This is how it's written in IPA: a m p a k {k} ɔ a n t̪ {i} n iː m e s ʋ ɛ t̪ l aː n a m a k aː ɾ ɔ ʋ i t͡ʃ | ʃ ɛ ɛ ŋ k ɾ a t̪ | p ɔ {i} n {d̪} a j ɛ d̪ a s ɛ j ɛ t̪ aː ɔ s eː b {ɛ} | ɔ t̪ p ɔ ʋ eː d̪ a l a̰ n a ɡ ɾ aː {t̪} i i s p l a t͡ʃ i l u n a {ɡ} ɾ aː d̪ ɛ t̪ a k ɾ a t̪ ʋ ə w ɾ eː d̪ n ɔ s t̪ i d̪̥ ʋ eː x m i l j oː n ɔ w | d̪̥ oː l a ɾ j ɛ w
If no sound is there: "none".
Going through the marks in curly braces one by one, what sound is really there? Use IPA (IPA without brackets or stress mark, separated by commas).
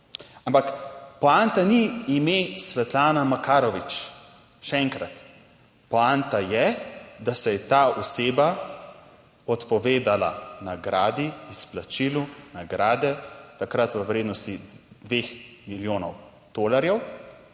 p, a, a, t̪, a, d̪, ɡ